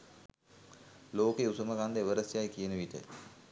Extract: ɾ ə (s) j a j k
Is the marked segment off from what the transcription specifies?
no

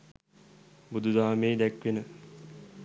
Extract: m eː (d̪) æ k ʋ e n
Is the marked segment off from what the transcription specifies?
no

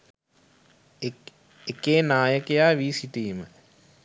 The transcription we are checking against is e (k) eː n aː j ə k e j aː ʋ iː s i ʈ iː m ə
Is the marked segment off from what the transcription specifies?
no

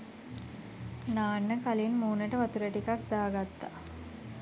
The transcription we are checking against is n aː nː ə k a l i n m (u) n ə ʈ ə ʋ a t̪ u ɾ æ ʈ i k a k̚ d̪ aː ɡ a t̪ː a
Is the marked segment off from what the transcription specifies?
yes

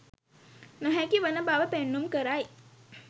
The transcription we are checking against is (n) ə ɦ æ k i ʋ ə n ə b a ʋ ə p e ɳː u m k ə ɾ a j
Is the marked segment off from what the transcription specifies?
no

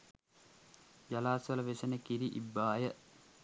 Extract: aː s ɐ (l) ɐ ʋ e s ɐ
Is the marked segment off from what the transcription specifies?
no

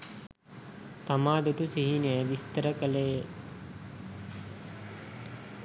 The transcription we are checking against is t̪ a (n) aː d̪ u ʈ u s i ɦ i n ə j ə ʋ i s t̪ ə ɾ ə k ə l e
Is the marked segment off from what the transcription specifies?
yes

